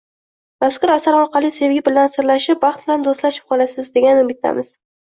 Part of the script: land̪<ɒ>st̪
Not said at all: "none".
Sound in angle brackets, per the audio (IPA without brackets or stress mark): o